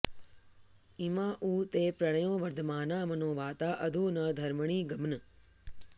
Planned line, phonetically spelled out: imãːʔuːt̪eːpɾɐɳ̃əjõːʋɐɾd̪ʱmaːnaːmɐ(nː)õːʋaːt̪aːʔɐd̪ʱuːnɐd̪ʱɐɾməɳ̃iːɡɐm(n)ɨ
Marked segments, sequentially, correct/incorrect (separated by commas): incorrect, correct